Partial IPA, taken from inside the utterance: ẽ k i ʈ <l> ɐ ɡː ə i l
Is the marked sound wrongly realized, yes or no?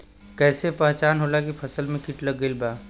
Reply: no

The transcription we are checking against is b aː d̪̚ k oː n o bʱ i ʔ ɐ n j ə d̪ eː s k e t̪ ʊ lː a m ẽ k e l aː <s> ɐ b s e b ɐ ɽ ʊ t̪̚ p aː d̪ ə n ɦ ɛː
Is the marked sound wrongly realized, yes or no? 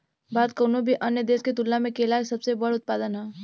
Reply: no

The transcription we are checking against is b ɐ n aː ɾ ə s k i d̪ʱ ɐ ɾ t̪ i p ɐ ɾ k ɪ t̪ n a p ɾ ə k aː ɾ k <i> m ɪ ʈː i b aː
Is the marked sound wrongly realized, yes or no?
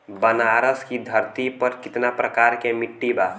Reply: yes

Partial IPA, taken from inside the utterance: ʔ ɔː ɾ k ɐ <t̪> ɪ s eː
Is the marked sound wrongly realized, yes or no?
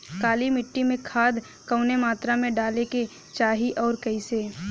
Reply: yes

